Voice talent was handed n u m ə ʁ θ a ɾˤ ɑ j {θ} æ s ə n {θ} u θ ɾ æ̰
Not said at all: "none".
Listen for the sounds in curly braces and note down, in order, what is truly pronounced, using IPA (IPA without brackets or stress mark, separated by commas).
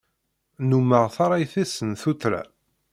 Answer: θ, θ